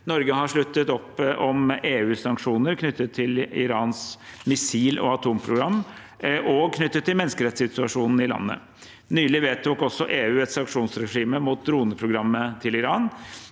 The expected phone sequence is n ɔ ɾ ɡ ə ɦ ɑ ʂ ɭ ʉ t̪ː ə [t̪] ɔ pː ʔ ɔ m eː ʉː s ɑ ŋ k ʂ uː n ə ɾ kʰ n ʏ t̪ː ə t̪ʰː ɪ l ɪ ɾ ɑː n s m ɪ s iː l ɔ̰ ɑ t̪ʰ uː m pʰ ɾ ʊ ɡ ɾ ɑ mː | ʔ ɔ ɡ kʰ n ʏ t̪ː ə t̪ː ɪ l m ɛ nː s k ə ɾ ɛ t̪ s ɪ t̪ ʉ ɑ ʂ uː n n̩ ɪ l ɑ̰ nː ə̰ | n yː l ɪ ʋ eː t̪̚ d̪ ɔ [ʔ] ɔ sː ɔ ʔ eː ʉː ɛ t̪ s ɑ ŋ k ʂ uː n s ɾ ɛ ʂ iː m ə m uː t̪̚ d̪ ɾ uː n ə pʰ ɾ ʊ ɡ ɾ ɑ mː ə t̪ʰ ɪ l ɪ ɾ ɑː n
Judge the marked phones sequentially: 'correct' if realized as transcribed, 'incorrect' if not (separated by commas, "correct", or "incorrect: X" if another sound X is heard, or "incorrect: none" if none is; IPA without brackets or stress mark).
correct, incorrect: k